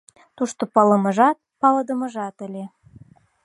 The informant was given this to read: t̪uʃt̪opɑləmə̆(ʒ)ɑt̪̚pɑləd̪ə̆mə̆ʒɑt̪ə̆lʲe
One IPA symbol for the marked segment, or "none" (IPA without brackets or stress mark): ʒ